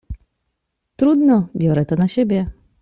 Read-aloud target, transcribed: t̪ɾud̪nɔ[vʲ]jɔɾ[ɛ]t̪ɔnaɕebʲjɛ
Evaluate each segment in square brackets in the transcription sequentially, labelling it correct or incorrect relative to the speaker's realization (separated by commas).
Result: incorrect, correct